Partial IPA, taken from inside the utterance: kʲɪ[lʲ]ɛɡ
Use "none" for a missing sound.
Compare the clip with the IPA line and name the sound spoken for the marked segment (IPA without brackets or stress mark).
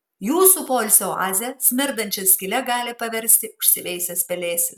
lʲ